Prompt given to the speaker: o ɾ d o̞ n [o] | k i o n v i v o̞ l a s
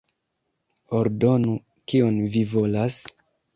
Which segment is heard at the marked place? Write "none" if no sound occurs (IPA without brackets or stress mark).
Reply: u